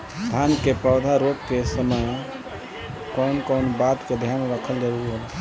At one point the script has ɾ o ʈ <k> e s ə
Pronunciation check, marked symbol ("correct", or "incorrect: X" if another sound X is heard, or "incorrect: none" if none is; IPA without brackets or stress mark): correct